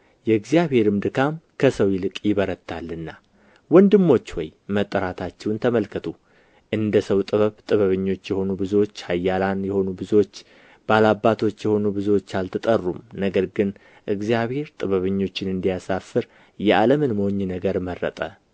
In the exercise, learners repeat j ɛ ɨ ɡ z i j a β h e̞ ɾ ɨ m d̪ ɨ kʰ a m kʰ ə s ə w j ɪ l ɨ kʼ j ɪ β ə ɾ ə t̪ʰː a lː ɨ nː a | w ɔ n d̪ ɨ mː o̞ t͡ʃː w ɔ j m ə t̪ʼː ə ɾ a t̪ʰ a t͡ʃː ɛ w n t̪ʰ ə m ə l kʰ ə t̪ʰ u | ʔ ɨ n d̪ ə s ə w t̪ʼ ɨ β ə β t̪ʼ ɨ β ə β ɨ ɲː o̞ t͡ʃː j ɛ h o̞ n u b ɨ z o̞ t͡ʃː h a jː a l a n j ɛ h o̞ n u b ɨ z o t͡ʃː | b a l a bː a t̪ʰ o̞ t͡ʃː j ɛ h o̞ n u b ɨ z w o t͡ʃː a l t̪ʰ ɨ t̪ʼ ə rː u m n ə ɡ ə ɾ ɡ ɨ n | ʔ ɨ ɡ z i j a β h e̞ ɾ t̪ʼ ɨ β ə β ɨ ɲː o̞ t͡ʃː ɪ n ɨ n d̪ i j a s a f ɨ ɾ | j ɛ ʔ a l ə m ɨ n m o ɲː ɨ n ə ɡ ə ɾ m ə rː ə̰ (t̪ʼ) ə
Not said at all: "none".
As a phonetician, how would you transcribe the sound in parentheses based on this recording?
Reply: t̪ʼ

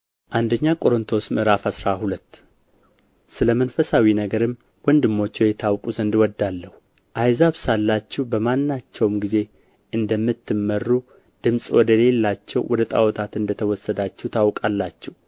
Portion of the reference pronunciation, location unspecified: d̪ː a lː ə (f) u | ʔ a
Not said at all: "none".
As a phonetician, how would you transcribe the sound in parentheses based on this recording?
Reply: h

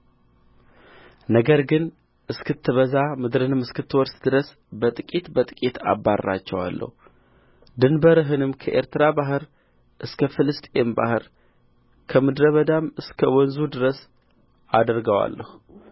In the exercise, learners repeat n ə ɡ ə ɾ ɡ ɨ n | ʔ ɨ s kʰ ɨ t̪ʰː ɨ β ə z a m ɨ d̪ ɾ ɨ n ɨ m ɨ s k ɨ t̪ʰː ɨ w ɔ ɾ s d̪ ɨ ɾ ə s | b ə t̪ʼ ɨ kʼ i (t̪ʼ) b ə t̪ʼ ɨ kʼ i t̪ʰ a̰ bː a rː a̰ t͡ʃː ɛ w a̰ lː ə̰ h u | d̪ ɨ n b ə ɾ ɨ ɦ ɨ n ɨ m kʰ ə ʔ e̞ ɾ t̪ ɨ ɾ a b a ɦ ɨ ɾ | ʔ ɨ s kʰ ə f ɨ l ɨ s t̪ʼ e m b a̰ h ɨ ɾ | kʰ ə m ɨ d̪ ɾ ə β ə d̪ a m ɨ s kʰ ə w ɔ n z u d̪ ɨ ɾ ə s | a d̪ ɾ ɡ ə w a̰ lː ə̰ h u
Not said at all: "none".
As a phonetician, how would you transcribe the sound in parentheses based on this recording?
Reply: t̪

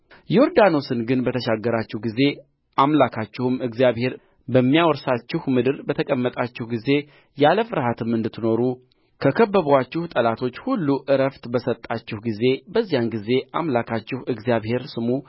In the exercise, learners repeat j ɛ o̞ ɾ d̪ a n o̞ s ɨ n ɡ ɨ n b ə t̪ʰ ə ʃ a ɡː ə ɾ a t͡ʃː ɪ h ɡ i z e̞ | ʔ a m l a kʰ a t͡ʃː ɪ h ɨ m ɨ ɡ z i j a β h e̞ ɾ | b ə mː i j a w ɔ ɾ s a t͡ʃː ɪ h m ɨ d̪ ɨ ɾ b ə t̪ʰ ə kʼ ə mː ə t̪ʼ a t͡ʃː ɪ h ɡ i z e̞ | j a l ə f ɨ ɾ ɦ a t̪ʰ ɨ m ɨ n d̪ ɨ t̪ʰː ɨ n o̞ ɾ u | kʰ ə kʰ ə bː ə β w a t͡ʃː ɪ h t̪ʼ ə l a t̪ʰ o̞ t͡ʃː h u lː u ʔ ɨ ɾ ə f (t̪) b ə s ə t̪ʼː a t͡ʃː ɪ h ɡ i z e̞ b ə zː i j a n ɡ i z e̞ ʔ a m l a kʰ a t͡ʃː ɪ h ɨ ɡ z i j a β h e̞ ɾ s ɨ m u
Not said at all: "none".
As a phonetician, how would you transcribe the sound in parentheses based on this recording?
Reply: t̪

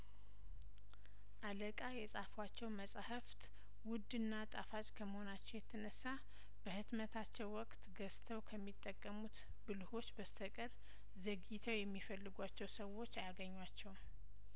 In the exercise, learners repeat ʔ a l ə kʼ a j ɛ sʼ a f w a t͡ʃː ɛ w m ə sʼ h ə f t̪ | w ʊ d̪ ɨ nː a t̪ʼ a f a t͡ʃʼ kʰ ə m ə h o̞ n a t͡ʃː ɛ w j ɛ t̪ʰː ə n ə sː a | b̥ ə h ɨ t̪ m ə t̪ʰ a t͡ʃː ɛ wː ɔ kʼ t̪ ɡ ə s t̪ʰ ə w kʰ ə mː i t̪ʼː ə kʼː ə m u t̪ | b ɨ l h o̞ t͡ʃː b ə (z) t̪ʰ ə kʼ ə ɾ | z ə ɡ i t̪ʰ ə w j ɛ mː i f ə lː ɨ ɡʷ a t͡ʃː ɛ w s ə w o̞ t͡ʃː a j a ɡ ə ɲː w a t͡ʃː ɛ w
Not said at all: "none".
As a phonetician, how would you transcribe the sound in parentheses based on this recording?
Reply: s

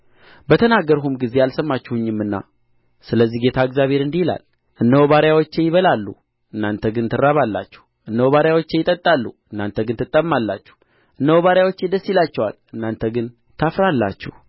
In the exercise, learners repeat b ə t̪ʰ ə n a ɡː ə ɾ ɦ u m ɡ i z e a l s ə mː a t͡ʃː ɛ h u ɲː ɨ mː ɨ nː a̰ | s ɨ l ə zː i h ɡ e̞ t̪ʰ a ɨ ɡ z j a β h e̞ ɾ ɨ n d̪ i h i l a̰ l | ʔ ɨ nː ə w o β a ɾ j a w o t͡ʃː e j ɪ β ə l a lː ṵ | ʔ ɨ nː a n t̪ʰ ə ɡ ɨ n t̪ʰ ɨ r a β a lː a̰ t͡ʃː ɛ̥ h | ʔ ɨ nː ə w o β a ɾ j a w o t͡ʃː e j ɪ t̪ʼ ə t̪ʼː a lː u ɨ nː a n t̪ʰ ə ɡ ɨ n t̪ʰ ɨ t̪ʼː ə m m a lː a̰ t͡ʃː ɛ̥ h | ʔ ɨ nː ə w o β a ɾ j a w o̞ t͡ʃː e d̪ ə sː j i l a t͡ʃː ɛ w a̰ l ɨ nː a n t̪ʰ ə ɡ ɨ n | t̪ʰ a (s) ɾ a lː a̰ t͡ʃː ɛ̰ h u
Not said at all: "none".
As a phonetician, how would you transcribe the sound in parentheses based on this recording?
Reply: f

